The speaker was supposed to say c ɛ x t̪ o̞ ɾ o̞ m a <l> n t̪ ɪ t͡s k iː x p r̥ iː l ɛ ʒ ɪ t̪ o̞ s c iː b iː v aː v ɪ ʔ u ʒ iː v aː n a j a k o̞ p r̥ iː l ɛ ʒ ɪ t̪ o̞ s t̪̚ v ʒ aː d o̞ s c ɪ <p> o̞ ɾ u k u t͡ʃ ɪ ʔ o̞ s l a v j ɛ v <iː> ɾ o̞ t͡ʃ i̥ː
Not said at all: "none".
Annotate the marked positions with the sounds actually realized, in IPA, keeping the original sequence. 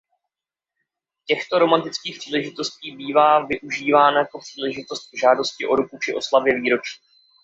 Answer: none, ʔ, iː

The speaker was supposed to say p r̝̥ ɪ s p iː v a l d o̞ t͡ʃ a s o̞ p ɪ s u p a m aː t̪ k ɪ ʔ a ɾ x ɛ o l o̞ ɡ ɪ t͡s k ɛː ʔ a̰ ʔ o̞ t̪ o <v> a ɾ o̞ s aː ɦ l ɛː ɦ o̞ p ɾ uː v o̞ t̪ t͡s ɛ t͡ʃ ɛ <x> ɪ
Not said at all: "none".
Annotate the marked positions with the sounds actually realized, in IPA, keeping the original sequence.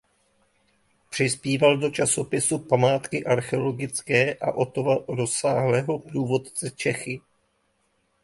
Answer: v, x

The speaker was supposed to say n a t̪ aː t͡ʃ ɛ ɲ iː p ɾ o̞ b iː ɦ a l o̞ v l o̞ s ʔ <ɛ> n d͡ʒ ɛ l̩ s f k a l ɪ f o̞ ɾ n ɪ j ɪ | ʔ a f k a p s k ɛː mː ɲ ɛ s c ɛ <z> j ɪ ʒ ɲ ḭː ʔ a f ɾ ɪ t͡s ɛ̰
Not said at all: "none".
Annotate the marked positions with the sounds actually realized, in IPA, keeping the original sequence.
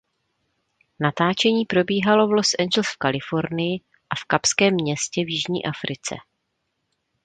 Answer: ɛ, v

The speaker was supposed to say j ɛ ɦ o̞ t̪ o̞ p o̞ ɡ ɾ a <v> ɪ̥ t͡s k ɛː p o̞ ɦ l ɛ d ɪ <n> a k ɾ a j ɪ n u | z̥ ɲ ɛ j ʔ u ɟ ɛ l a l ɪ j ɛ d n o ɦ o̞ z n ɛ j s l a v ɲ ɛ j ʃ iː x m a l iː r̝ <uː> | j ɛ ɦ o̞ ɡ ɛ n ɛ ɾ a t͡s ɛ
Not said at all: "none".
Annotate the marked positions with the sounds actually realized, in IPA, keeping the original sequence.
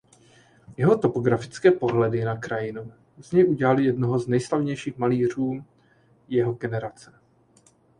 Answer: f, n, uː

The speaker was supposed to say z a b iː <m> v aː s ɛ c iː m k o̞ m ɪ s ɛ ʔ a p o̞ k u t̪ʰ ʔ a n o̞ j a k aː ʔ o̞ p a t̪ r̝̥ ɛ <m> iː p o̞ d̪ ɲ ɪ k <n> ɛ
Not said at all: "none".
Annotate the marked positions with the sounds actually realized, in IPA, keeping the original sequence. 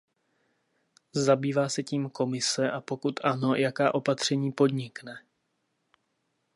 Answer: none, ɲ, n

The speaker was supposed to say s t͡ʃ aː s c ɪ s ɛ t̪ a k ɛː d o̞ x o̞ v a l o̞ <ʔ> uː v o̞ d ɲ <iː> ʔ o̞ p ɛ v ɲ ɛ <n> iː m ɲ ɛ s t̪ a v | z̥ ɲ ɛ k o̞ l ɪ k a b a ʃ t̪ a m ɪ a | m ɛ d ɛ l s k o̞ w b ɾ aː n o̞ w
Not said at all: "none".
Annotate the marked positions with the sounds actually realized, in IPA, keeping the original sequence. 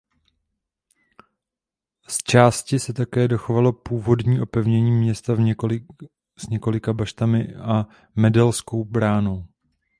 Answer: p, iː, ɲ

